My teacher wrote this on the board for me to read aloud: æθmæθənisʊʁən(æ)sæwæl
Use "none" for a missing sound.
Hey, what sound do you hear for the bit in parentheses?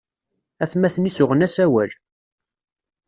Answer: æ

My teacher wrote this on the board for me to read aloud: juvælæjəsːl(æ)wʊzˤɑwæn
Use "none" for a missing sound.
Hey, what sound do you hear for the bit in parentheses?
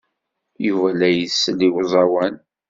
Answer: i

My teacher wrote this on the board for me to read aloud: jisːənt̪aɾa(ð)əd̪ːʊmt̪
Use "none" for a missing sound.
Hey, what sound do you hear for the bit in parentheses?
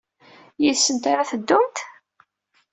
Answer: θ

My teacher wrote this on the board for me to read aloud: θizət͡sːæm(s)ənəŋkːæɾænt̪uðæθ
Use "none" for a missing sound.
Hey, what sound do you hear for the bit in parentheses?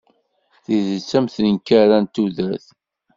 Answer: θ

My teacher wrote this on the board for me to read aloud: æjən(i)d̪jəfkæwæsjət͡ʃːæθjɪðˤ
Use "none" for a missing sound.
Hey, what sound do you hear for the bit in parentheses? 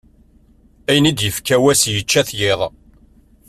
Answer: i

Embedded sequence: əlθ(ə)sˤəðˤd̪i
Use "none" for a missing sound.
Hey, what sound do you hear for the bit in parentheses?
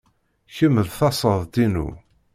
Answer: ɑ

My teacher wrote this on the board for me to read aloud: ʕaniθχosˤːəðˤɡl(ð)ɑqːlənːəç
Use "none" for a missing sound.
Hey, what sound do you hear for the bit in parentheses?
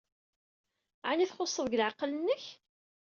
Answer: ʕ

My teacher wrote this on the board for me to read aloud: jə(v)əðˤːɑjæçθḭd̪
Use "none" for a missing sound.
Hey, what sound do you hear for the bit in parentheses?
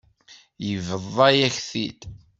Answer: v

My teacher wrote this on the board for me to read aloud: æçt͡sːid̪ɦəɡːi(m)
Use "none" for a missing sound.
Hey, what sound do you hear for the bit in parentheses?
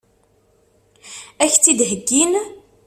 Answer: n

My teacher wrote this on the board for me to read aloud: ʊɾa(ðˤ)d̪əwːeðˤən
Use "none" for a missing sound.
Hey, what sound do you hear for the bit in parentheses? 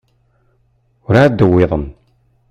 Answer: none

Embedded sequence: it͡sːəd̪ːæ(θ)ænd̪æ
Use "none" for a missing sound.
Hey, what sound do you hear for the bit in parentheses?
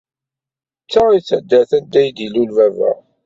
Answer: θ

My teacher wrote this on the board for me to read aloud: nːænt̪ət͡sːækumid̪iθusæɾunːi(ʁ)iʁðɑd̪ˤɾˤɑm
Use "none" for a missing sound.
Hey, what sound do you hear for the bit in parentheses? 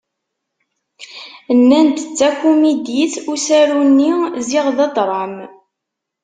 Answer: z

